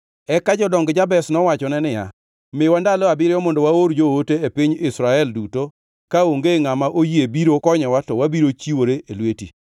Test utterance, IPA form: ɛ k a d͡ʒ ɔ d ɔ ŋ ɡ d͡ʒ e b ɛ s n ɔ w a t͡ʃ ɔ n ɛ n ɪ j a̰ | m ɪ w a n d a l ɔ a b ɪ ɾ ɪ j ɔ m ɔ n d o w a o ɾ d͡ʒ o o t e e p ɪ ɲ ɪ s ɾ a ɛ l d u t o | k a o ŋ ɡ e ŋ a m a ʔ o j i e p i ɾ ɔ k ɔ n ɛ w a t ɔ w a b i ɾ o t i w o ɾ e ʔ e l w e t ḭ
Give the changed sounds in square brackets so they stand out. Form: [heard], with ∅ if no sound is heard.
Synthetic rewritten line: ɛ k a d͡ʒ ɔ d ɔ ŋ ɡ d͡ʒ [a] b ɛ s n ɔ w a t͡ʃ ɔ n ɛ n ɪ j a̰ | m ɪ w a n d a l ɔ a b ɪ ɾ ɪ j ɔ m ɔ n d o w a o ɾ d͡ʒ o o t e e p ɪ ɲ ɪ s ɾ a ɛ l d u t o | k a o ŋ ɡ e ŋ a m a ʔ o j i e [b] i ɾ [o] k ɔ [ɲ] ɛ w a t ɔ w a b i ɾ o [t͡ʃ] i w o ɾ e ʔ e l w e t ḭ